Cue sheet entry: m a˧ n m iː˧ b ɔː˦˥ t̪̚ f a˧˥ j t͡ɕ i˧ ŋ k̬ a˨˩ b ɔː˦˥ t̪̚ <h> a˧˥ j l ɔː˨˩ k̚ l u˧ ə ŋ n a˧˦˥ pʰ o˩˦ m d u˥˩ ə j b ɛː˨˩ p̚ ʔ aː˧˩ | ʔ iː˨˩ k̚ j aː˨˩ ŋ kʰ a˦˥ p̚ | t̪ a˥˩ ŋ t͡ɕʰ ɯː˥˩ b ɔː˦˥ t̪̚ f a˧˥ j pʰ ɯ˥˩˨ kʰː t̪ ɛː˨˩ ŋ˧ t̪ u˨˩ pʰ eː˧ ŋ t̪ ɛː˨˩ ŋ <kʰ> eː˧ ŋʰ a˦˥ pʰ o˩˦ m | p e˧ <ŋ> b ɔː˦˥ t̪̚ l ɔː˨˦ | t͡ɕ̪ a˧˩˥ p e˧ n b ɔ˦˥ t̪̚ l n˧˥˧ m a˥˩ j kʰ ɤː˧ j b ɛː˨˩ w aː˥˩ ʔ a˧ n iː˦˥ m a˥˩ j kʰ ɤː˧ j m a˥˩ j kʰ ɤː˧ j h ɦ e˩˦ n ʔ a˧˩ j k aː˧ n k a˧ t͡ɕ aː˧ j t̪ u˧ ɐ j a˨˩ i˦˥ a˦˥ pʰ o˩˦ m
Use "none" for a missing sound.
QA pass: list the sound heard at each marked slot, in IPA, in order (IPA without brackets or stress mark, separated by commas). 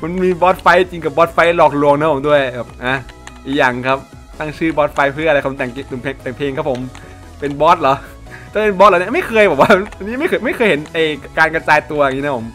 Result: f, pʰ, n